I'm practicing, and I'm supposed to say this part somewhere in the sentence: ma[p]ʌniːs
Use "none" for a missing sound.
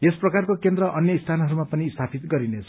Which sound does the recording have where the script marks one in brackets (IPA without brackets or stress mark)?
p